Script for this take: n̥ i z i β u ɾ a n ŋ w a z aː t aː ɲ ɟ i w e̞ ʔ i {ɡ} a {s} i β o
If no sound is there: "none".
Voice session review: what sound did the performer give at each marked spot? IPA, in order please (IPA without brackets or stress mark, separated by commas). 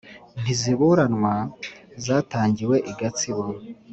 ɡ, t͡s